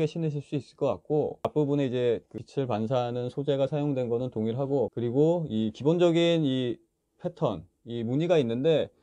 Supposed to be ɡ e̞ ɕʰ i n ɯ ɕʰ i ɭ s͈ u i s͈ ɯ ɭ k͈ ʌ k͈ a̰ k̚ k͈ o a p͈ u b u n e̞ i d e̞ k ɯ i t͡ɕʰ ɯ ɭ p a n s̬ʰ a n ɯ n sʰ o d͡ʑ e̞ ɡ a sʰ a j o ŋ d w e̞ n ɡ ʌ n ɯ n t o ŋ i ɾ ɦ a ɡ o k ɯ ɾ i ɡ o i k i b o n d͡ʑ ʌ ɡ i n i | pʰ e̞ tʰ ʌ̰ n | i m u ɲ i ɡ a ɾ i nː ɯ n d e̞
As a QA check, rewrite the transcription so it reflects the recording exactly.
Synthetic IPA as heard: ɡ e̞ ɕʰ i n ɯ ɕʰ i ɭ s͈ u i s͈ ɯ ɭ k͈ ʌ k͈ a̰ k̚ k͈ o a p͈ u b u n e̞ i d͡ʑ e̞ k ɯ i t͡ɕʰ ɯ ɭ p a n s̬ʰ a n ɯ n sʰ o d͡ʑ e̞ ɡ a sʰ a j o ŋ d w e̞ n ɡ ʌ n ɯ n t o ŋ i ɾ ɦ a ɡ o k ɯ ɾ i ɡ o i k i b o n d͡ʑ ʌ ɡ i n i | pʰ e̞ tʰ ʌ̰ n | i m u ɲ i ɡ a i nː ɯ n d e̞